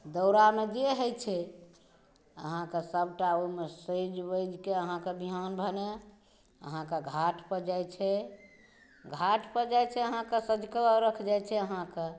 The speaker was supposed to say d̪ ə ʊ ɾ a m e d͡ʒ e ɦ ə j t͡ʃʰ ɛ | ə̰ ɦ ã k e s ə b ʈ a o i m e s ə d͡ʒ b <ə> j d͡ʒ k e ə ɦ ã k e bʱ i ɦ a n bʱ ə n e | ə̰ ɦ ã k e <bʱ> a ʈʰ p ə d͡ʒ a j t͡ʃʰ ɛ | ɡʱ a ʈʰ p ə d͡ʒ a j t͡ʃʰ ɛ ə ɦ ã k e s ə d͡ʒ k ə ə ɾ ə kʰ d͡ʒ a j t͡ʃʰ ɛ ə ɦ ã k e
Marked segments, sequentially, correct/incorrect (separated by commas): correct, incorrect